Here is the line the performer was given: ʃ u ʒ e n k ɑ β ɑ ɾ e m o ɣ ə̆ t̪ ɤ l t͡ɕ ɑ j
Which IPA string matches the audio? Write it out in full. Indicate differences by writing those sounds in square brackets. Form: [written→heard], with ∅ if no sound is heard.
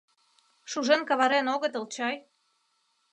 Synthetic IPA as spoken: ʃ u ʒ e n k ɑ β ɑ ɾ e [m→n] o ɣ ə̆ t̪ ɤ l t͡ɕ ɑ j